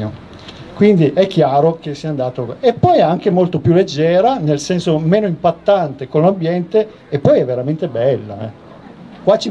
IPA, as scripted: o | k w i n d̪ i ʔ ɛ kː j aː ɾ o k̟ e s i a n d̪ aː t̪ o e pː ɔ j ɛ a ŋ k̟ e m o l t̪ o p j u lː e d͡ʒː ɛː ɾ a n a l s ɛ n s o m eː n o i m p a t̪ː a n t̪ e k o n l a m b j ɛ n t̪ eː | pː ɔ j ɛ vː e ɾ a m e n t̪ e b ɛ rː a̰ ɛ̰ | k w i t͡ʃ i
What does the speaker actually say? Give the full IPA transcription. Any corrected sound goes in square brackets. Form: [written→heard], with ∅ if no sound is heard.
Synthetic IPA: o | k w i n d̪ i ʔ ɛ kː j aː ɾ o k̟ e s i a n d̪ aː t̪ o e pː ɔ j ɛ a ŋ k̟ e m o l t̪ o p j u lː e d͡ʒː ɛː ɾ a n [a→e] l s ɛ n s o m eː n o i m p a t̪ː a n t̪ e k o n l a m b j ɛ n t̪ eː | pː ɔ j ɛ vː e ɾ a m e n t̪ e b ɛ [rː→lː] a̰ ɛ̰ | k w [i→a] t͡ʃ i